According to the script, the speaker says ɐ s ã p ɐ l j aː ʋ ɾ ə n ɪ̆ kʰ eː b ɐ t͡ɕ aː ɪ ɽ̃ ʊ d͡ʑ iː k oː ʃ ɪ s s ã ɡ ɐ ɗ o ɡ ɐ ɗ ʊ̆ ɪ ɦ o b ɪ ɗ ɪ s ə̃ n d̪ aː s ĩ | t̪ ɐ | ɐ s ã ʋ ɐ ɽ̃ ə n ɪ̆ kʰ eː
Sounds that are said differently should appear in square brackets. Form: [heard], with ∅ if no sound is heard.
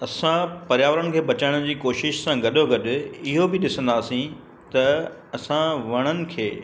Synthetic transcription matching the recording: ɐ s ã p ɐ [ɾ] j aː ʋ ɾ ə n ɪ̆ kʰ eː b ɐ t͡ɕ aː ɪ ɽ̃ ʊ d͡ʑ iː k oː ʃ ɪ [ʃ] s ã ɡ ɐ ɗ o ɡ ɐ ɗ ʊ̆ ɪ ɦ o b ɪ ɗ ɪ s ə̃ n d̪ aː s ĩ | t̪ ɐ | ɐ s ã ʋ ɐ ɽ̃ ə n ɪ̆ kʰ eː